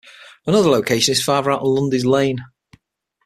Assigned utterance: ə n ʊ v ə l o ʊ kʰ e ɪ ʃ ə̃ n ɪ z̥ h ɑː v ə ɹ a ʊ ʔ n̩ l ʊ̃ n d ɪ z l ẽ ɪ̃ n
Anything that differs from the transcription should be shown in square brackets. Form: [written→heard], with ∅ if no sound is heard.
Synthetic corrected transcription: ə n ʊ [v→ð] ə l o ʊ kʰ e ɪ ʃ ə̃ n ɪ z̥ [h→f] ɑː v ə ɹ a ʊ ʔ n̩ l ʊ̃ n d ɪ z l ẽ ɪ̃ n